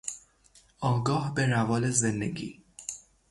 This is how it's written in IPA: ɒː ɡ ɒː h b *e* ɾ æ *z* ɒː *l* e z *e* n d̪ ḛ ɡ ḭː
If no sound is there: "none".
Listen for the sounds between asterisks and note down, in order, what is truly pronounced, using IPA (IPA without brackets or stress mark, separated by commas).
e, v, l, e